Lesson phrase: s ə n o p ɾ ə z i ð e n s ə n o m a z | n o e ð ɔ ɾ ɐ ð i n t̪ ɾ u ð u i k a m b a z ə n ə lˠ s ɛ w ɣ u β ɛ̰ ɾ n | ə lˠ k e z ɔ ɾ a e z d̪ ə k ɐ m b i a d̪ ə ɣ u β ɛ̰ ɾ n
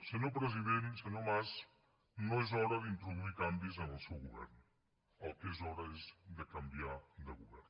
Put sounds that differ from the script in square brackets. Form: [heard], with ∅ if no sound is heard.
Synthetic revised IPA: s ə n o p ɾ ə z i ð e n s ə n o m a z | n o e [z] ɔ ɾ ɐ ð i n t̪ ɾ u ð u i k a m b [i] z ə n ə lˠ s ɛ w ɣ u β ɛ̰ ɾ n | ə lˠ k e z ɔ ɾ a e z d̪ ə k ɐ m b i a d̪ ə ɣ u β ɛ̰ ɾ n